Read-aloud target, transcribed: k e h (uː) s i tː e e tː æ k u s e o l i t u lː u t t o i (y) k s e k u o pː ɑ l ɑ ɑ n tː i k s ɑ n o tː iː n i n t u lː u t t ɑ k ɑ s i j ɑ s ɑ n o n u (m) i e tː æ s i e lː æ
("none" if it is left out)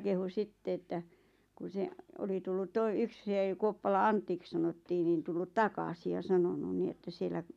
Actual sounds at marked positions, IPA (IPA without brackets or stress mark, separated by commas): u, y, n